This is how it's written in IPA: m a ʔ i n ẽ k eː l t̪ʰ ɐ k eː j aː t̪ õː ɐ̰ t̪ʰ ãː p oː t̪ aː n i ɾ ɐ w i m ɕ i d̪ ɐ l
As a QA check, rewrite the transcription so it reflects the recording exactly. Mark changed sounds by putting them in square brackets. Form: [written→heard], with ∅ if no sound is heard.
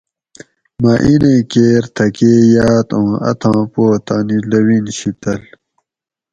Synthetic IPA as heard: m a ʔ i n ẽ k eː [l→ɾ] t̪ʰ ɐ k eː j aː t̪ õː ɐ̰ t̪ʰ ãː p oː t̪ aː n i [ɾ→l] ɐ w i [m→n] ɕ i [d̪→t̪] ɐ l